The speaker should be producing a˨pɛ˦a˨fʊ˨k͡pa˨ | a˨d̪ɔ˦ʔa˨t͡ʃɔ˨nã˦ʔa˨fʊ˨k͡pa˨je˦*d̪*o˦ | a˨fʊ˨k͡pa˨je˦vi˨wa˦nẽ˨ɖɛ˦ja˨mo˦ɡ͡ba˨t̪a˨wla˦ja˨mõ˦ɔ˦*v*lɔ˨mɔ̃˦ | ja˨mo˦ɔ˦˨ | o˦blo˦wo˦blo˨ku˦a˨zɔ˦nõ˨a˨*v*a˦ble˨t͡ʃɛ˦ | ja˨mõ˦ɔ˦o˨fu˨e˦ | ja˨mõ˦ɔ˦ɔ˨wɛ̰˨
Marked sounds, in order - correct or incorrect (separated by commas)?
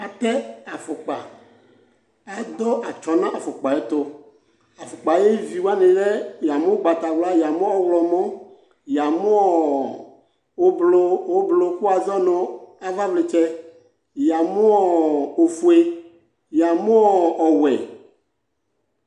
incorrect, incorrect, correct